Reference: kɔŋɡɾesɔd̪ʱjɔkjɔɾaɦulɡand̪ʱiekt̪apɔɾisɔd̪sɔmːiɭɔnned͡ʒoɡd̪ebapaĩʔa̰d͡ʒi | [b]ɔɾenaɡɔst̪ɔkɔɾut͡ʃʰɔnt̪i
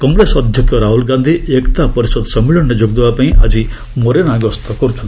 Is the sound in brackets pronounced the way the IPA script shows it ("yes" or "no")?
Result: no